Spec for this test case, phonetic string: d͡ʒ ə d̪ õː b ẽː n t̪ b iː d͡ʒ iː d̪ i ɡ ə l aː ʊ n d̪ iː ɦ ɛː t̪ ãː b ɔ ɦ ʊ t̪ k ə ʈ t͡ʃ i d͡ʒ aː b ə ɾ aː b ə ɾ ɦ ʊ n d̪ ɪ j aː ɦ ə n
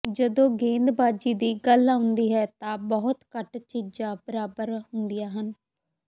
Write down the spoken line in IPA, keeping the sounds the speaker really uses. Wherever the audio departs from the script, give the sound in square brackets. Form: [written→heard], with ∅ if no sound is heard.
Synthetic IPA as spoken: d͡ʒ ə d̪ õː [b→ɡ] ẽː n [t̪→d̪] b [iː→aː] d͡ʒ iː d̪ [i→iː] ɡ ə l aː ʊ n d̪ iː ɦ ɛː t̪ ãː b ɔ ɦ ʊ t̪ k ə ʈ t͡ʃ i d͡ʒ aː b ə ɾ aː b ə ɾ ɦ ʊ n d̪ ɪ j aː ɦ ə n